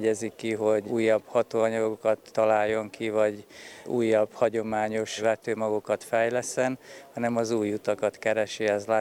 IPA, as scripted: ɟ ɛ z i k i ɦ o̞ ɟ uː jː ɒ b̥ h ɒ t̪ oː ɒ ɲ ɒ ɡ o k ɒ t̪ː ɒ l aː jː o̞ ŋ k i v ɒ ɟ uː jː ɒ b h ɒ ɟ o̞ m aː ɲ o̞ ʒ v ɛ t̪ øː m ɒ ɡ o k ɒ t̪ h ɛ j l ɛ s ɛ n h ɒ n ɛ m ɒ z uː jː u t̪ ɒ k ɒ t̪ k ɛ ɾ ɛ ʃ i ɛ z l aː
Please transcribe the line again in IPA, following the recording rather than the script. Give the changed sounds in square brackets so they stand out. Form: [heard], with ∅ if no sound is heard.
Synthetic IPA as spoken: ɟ ɛ z i k i ɦ o̞ ɟ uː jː ɒ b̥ h ɒ t̪ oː ɒ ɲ ɒ ɡ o k ɒ t̪ː ɒ l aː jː o̞ ŋ k i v ɒ ɟ uː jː ɒ b h ɒ ɟ o̞ m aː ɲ o̞ [ʃ] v ɛ t̪ øː m ɒ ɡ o k ɒ t̪ [f] ɛ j l ɛ s ɛ n h ɒ n ɛ m ɒ z uː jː u t̪ ɒ k ɒ t̪ k ɛ ɾ ɛ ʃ i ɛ z l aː